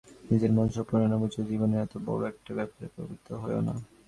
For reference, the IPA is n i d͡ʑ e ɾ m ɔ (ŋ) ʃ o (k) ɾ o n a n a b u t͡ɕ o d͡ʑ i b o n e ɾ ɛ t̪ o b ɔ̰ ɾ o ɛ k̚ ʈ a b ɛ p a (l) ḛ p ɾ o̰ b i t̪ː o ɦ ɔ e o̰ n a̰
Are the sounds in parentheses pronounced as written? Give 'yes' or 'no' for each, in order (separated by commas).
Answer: no, no, no